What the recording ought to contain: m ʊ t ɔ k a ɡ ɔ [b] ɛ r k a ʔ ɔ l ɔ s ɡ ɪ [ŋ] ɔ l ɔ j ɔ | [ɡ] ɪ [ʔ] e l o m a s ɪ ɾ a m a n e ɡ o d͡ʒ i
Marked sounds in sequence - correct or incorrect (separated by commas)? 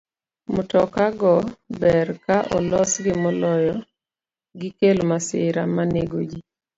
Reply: correct, incorrect, correct, incorrect